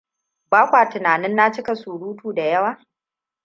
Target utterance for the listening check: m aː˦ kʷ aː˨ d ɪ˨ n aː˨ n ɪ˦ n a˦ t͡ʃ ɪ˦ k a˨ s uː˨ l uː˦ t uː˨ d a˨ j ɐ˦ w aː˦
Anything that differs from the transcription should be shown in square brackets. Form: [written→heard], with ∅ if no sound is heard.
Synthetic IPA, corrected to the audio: [m→b] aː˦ kʷ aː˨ [d→t] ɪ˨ n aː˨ n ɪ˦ [n→nː] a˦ t͡ʃ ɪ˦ k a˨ s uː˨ [l→ɽ] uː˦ t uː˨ d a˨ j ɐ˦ w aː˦